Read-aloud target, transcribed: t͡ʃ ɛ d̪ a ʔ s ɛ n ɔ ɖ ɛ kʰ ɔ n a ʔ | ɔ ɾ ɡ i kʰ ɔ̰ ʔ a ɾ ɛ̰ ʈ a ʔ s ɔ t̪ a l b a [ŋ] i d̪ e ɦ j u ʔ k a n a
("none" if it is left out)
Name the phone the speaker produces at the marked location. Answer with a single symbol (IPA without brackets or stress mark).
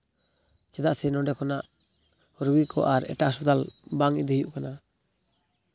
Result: ŋ